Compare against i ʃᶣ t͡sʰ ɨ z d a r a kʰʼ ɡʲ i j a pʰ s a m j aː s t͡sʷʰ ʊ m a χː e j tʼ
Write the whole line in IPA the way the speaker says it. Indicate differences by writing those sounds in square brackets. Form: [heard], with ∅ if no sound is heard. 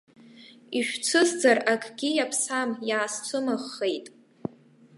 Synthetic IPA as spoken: i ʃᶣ t͡sʰ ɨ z [d͡z] a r a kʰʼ ɡʲ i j a pʰ s a m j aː s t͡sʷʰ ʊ m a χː e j tʼ